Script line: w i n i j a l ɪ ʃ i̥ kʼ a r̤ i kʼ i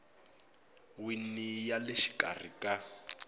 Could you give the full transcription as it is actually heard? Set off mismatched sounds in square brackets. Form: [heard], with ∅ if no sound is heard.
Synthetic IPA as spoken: w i n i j a l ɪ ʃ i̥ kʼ a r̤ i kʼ [a]